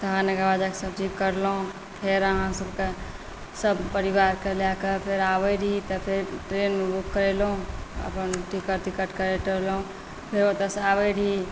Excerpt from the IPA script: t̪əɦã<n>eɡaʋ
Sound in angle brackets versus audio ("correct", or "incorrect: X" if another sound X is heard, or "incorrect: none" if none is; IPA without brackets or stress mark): correct